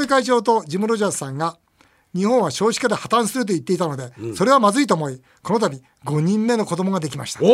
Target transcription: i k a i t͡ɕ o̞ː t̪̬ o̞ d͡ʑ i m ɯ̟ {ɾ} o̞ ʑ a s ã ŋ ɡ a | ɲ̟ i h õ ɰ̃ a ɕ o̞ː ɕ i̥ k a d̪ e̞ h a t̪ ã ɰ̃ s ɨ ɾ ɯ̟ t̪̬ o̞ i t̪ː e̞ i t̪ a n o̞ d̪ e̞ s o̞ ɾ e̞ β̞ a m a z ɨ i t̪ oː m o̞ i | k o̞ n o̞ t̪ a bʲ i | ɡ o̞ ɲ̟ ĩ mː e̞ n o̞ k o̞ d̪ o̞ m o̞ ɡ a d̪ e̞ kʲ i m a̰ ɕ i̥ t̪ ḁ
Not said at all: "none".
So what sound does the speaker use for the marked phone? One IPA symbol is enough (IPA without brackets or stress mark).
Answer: ɾ